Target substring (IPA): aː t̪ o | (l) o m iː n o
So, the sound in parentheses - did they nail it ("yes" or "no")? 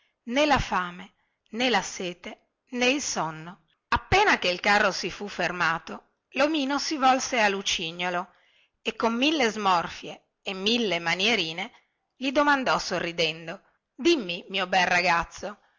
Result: yes